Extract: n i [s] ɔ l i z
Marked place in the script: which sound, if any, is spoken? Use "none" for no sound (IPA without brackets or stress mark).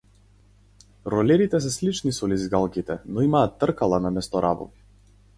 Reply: s